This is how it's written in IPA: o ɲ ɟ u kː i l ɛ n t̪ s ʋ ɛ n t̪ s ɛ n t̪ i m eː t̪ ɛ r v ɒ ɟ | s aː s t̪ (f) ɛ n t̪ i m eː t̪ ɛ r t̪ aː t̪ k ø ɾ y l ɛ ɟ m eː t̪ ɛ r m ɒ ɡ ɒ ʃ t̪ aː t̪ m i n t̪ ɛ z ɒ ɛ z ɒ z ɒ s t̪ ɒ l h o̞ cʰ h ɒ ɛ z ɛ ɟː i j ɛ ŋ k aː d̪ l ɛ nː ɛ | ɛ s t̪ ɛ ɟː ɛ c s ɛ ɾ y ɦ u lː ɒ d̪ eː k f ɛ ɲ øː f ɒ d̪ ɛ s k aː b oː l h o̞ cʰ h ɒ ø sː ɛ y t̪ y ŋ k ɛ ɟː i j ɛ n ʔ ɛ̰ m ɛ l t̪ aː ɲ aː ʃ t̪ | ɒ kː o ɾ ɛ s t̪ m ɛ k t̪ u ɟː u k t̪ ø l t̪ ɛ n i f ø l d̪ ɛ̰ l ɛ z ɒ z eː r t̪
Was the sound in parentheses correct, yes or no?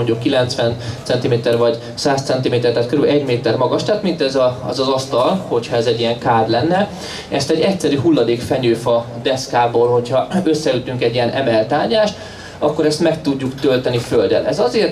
no